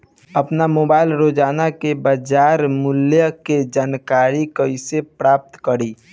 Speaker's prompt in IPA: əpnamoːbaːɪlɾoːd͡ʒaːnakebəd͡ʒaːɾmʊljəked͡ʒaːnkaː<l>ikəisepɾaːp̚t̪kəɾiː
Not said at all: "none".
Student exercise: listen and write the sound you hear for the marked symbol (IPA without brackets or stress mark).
ɾ